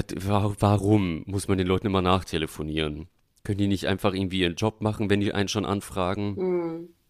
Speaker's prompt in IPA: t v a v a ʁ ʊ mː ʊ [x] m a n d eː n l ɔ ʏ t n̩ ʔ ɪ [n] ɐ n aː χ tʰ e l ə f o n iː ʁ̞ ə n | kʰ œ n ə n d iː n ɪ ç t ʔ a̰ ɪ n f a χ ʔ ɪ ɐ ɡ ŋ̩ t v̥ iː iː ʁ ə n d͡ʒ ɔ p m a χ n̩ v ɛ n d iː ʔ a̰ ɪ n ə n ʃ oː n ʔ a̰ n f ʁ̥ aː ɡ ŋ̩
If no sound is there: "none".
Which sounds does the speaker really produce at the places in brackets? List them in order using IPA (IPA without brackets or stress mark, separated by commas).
s, m